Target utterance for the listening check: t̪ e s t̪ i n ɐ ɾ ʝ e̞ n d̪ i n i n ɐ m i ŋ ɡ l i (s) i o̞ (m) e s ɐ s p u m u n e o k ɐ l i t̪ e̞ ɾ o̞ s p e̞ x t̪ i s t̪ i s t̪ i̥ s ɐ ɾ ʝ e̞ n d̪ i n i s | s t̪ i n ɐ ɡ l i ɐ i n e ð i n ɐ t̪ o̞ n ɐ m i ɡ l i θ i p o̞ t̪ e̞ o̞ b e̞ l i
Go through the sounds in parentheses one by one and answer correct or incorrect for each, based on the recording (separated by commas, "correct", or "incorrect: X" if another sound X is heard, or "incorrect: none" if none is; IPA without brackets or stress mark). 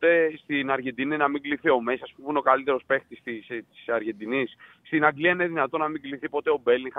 incorrect: θ, correct